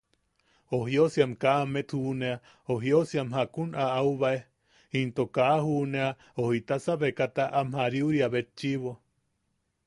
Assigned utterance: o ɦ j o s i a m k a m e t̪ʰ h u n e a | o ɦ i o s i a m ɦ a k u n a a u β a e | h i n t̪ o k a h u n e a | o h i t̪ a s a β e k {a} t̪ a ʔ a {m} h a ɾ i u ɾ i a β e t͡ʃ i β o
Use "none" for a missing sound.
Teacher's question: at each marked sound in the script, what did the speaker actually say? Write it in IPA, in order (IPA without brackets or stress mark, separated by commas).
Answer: a, m